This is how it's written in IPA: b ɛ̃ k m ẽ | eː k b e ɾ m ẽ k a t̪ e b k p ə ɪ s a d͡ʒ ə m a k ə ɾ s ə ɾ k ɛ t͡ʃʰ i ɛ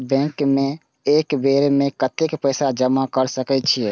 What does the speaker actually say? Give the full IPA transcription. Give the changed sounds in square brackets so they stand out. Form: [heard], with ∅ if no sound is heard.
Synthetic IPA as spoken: b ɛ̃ k m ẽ | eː k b e ɾ m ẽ k [ə] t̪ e [∅] k p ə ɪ s a d͡ʒ ə m a k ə ɾ s ə [∅] k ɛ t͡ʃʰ i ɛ